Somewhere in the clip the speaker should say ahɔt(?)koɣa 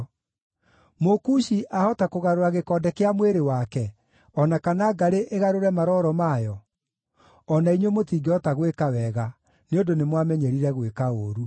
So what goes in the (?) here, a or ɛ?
a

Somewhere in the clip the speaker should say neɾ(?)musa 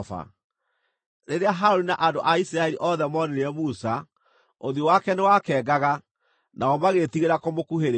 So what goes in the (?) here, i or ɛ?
ɛ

